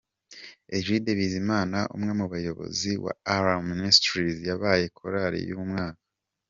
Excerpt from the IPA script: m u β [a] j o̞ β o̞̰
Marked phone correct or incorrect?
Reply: correct